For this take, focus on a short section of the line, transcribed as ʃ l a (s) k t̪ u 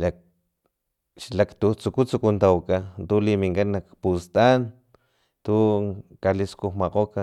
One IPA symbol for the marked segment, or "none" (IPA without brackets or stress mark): none